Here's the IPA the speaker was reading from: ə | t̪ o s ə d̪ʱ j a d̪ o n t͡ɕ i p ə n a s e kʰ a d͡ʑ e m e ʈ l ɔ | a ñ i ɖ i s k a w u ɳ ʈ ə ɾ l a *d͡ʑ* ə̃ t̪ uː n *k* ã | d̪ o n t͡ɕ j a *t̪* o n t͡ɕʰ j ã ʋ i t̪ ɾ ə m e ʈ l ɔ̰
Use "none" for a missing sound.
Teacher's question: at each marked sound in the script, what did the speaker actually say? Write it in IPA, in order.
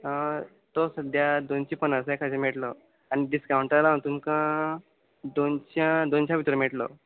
none, k, d̪

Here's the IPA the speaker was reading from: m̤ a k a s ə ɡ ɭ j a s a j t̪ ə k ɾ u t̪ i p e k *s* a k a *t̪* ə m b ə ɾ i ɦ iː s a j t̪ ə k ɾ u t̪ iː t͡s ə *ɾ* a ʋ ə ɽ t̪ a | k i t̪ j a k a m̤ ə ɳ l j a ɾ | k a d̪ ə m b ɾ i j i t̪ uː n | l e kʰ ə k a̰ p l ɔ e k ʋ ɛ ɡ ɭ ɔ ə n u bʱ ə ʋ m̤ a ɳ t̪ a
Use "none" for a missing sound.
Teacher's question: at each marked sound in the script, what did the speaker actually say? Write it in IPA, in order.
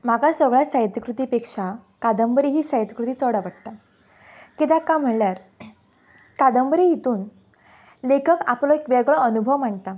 ʂ, d̪, ɽ

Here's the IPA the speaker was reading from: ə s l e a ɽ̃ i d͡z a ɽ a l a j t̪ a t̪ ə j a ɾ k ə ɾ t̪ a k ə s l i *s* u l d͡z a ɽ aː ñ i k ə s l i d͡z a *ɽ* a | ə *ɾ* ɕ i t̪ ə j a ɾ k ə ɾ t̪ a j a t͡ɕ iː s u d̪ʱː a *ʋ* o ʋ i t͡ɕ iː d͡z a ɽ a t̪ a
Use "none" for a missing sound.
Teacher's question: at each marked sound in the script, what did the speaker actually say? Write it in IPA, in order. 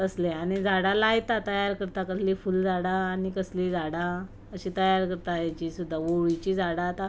f, ɽ, none, ʋ

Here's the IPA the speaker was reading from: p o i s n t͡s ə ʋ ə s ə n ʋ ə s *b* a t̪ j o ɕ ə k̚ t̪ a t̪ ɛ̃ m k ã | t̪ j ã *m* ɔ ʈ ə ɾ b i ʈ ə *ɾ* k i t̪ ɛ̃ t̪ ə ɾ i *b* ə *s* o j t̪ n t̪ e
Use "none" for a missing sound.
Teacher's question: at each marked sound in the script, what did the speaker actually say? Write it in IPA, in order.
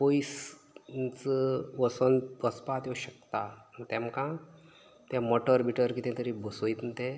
p, m, ɾ, b, s

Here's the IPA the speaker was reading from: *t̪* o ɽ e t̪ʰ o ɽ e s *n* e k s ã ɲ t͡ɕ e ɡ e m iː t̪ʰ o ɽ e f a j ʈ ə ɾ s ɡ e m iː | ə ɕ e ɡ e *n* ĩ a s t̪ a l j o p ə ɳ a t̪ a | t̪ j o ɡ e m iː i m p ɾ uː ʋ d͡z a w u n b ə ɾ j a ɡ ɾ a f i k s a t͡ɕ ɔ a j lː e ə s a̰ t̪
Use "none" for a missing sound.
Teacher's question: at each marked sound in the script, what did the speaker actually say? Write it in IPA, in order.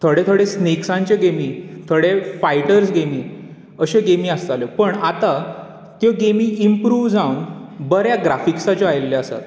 t̪ʰ, n, m

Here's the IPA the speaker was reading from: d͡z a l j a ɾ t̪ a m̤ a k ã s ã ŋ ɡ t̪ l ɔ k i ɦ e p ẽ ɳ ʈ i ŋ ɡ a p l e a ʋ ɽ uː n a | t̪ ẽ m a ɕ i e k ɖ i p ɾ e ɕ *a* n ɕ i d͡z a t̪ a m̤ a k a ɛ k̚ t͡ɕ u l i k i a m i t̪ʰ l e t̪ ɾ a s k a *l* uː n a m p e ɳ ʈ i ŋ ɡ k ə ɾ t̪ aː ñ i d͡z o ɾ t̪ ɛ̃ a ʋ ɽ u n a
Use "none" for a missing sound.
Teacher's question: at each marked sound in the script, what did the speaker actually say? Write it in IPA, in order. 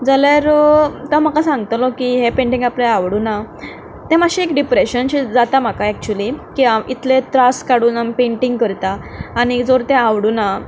ə, ɽ

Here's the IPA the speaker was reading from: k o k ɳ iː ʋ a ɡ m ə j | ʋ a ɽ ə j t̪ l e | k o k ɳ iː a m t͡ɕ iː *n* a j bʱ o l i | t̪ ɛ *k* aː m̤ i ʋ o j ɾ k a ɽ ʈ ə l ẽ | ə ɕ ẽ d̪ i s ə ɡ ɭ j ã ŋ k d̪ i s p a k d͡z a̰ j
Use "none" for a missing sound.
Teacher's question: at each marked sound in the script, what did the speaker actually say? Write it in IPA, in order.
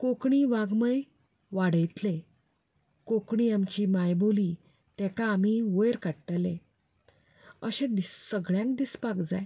m, k

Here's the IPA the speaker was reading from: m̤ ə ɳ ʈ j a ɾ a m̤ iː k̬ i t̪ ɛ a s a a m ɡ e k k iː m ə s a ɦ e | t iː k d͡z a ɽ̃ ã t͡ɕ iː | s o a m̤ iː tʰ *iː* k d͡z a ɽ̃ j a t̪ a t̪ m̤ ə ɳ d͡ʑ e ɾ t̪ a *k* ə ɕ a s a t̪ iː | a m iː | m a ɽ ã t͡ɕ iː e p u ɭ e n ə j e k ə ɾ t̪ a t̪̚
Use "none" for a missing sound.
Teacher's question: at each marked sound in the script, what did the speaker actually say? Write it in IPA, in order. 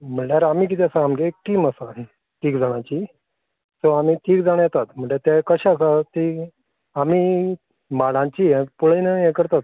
iː, k

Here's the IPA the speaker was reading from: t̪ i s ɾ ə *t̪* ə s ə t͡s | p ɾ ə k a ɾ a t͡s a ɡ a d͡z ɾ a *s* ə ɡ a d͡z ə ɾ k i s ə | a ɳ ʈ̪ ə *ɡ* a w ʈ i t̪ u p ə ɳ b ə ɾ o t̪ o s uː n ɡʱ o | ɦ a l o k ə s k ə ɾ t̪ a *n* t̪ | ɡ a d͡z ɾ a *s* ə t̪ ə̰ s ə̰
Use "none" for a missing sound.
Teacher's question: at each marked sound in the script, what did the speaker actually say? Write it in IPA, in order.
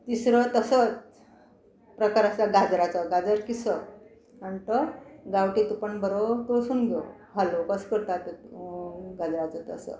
t̪, t͡s, ɡ, none, t͡s

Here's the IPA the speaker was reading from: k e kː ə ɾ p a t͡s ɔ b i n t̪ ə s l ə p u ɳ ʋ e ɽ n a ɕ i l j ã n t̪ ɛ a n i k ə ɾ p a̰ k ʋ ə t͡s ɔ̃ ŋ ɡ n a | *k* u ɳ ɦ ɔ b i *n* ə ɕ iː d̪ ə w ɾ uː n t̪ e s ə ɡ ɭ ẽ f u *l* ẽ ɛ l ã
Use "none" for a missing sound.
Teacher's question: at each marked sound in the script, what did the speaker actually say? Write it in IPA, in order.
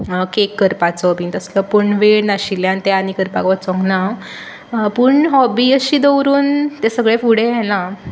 p, none, ɽ

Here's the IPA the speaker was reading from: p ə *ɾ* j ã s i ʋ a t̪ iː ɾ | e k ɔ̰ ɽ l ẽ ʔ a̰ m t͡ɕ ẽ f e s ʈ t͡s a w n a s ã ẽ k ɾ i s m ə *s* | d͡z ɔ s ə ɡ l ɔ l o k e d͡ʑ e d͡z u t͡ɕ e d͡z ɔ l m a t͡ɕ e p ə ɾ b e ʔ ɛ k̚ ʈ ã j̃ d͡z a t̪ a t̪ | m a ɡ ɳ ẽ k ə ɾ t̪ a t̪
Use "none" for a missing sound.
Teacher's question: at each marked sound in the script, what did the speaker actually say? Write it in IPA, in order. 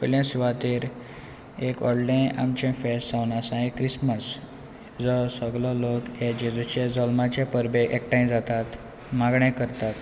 l, s

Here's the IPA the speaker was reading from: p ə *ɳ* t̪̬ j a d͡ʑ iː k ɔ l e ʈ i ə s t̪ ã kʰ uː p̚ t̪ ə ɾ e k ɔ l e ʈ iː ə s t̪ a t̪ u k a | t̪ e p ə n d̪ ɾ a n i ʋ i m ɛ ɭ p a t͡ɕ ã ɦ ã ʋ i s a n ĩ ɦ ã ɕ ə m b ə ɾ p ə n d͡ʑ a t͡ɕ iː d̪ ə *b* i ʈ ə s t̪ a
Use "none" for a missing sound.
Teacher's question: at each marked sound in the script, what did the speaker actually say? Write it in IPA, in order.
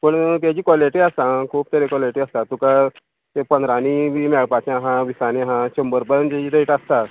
ɳ, none

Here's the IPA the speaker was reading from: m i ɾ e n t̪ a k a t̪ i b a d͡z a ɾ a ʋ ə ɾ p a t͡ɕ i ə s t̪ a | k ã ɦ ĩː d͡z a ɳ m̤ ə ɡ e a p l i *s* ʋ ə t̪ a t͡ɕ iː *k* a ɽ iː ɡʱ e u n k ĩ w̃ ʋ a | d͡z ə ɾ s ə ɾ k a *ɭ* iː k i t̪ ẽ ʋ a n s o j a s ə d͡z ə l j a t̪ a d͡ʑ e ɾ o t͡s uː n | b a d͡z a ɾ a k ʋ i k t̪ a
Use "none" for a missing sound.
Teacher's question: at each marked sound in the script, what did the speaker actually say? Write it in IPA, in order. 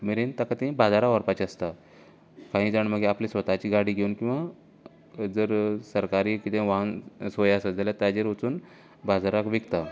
s, ɡ, ɾ

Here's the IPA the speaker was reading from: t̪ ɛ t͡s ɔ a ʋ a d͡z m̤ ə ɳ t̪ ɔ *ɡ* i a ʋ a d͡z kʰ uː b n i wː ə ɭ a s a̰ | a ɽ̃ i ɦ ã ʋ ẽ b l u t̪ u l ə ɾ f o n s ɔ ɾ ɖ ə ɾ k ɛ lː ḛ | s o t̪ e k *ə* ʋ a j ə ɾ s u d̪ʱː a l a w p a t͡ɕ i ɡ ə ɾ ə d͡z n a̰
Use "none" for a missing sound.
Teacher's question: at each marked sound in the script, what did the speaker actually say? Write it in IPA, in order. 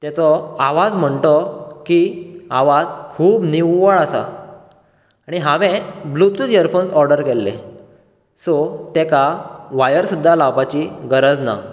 k, a

